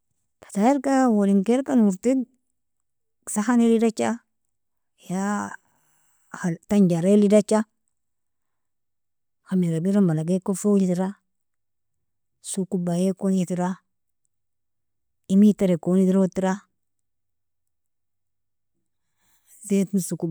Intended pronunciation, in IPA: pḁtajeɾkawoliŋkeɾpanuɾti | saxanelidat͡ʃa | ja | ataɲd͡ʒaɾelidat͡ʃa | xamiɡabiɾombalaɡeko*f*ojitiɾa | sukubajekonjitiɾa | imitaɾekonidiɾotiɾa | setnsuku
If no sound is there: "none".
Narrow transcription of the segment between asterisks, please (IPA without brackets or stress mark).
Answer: f